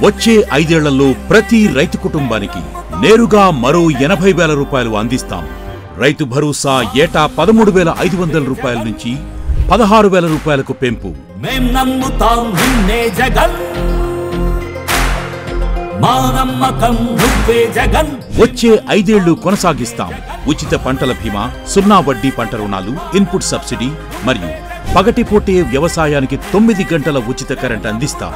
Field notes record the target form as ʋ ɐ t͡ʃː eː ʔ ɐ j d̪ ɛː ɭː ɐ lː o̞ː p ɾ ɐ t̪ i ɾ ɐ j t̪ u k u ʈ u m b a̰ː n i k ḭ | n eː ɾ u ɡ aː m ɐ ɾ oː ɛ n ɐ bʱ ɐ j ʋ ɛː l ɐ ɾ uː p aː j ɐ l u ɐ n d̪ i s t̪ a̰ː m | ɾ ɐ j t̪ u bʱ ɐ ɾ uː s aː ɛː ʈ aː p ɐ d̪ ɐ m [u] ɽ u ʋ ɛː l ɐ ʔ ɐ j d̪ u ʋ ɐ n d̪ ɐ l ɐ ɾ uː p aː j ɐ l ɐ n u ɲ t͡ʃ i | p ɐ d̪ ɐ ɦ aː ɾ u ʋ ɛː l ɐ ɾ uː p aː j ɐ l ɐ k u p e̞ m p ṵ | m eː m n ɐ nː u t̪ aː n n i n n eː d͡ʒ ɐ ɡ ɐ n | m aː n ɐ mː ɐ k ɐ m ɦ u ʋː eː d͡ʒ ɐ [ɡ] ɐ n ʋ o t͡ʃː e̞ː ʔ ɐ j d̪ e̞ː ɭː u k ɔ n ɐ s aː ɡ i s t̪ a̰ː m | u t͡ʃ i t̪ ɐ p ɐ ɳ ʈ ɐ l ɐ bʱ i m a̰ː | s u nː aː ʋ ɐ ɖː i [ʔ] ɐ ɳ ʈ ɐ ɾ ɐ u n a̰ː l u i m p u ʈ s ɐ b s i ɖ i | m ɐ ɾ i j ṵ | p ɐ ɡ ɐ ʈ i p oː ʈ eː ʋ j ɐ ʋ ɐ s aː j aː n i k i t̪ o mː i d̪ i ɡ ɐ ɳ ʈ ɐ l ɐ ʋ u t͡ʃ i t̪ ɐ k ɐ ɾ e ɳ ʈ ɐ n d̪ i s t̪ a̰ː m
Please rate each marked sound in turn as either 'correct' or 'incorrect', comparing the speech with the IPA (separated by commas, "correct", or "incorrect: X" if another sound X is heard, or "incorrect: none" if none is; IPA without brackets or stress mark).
incorrect: uː, correct, incorrect: p